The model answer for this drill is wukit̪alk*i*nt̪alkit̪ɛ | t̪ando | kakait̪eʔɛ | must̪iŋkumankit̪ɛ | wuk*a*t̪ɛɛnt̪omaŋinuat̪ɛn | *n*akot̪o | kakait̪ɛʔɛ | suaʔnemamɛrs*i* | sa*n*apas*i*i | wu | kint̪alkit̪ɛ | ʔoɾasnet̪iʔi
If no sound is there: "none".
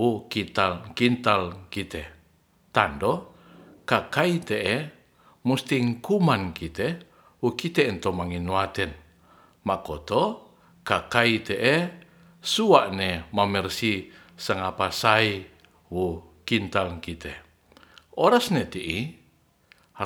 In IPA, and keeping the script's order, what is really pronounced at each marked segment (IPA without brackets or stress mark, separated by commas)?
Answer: i, i, m, i, ŋ, a